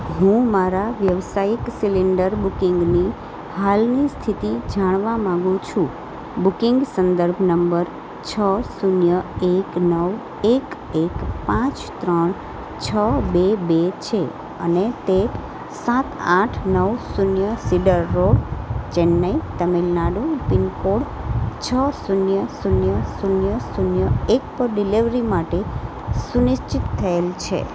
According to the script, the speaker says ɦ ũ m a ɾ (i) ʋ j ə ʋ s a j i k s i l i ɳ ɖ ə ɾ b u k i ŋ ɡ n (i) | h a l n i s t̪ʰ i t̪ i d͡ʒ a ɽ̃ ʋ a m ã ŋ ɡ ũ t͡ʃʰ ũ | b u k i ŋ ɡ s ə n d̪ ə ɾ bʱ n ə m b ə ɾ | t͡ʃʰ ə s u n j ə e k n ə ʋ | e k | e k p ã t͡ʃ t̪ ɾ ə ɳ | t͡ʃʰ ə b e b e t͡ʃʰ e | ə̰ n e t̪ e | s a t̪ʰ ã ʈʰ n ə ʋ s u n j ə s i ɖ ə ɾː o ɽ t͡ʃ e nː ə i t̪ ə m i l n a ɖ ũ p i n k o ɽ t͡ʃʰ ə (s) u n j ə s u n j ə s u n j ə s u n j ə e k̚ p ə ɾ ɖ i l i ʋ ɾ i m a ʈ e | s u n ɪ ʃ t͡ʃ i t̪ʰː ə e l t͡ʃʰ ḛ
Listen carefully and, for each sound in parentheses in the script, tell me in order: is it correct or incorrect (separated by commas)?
incorrect, correct, correct